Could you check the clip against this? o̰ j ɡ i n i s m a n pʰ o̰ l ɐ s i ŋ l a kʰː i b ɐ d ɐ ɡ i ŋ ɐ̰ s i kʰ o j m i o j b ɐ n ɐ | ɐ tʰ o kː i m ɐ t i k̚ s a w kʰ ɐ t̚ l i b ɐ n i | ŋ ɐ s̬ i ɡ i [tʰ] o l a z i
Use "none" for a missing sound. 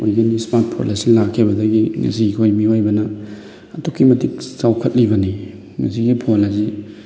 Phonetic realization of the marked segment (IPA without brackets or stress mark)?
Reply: pʰ